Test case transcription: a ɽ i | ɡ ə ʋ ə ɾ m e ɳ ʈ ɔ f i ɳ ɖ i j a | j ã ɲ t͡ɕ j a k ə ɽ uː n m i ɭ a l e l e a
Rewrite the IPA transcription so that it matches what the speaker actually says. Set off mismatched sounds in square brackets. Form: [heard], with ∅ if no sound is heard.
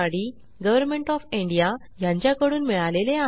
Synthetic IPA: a ɽ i | ɡ ə ʋ ə ɾ m e ɳ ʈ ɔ f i ɳ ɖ i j a | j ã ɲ t͡ɕ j a k ə ɽ uː n m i ɭ a l e l e a